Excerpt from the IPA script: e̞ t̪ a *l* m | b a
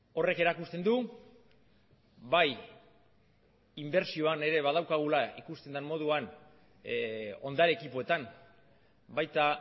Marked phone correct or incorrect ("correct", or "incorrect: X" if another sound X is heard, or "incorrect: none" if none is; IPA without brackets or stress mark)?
incorrect: none